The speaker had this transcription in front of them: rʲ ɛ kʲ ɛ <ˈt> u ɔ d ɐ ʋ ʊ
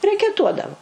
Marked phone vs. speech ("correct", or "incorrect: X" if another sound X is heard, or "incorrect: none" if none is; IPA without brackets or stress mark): correct